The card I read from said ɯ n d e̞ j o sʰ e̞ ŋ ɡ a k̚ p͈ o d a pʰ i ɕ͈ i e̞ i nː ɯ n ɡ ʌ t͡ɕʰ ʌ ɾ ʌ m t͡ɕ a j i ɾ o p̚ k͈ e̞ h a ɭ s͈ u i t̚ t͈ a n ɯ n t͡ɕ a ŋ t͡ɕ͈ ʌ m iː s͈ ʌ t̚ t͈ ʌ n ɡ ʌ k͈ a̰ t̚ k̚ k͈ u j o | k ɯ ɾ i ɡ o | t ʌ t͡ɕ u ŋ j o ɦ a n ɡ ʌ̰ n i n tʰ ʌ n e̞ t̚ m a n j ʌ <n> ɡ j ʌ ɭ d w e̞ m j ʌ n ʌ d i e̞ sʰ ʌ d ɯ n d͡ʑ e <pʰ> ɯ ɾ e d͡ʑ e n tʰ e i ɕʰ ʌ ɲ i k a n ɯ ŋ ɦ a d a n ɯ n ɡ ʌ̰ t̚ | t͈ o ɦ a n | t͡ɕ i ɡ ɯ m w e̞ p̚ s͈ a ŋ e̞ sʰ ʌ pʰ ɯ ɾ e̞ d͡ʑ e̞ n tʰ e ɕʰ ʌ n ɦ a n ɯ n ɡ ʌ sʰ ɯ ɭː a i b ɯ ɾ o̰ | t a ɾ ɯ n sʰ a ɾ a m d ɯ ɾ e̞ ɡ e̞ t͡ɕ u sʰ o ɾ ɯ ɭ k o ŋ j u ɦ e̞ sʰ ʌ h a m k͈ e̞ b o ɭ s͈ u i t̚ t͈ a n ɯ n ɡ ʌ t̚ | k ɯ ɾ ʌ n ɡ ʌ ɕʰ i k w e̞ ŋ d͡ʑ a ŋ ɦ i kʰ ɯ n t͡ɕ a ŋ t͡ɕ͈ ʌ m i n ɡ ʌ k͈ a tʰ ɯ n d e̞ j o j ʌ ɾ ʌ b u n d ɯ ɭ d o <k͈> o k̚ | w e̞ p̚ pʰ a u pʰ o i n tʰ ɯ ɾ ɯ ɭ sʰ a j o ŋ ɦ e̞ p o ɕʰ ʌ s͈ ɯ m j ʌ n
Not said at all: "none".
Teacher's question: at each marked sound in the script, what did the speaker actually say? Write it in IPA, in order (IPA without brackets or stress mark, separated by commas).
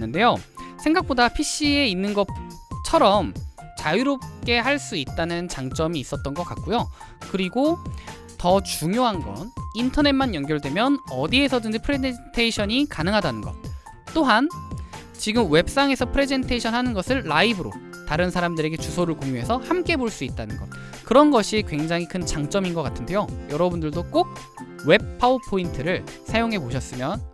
ŋ, pʰ, k͈